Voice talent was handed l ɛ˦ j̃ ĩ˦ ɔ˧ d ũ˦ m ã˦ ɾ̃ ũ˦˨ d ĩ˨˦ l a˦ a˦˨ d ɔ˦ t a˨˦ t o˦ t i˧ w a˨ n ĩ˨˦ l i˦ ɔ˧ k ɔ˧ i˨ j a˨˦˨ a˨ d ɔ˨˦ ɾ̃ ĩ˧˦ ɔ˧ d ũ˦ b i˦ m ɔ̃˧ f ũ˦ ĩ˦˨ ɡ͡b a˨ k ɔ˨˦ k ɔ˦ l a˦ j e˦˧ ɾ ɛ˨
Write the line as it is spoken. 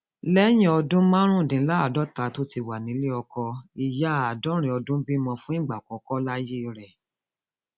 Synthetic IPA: l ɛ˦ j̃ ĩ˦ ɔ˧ d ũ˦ m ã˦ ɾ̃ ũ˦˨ d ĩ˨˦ l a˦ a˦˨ d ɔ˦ t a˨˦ t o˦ t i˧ w a˨ n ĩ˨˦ l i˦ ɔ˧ k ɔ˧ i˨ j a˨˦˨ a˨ d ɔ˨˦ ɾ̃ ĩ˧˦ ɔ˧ d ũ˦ b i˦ m ɔ̃˧ f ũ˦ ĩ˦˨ ɡ͡b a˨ k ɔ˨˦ k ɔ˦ l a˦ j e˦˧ ɾ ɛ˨